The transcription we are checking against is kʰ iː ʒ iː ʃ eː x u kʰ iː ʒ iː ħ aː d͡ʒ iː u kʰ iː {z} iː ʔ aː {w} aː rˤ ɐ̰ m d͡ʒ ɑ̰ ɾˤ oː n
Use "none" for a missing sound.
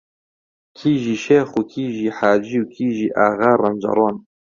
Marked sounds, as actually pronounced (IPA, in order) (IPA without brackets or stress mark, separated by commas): ʒ, ɣ